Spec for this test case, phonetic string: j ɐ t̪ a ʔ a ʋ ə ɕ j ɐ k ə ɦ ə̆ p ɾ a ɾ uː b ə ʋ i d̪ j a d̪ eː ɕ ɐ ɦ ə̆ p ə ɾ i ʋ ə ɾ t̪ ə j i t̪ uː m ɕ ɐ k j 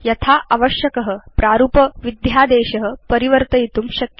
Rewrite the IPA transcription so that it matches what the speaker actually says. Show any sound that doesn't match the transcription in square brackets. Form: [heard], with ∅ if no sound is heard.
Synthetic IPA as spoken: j ɐ [t̪ʰ] a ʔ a ʋ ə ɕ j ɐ k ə ɦ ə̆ p ɾ a ɾ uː [p] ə ʋ i d̪ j a d̪ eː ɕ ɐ ɦ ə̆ p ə ɾ i ʋ ə ɾ t̪ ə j i t̪ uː m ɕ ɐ k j